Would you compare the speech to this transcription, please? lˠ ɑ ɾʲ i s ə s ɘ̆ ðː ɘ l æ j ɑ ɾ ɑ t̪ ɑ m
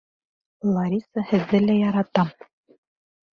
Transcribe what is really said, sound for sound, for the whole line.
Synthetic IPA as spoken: lˠ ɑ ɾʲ i s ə h ɘ̆ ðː ɘ l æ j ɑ ɾ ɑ t̪ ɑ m